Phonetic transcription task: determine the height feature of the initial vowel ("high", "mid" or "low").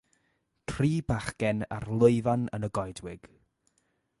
high